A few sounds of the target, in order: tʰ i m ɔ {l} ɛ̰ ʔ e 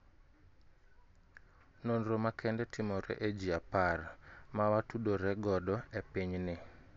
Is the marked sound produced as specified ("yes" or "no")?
no